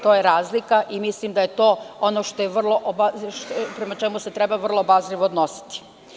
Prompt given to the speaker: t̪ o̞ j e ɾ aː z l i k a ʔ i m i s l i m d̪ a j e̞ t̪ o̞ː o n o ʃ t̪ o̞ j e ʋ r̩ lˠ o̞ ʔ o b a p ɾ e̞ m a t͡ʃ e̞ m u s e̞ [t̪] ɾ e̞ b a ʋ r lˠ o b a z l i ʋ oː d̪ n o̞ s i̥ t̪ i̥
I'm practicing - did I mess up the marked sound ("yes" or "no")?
no